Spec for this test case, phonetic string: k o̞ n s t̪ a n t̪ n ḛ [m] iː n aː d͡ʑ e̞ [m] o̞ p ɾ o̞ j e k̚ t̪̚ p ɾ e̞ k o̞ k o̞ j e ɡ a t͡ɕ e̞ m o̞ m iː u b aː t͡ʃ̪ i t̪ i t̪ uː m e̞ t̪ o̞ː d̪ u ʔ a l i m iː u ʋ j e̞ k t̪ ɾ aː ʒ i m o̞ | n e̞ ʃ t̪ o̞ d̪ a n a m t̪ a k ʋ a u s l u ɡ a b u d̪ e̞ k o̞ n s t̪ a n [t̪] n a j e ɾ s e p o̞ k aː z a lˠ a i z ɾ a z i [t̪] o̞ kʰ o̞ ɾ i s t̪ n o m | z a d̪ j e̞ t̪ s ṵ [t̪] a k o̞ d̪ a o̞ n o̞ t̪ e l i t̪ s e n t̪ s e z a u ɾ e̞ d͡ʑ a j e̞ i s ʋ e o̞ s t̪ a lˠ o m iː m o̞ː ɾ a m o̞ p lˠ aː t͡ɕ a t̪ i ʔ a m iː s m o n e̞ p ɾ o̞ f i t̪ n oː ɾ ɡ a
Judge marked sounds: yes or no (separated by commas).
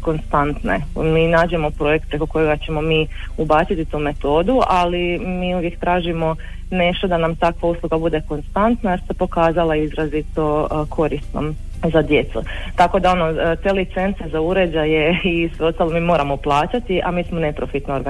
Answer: yes, yes, yes, yes, yes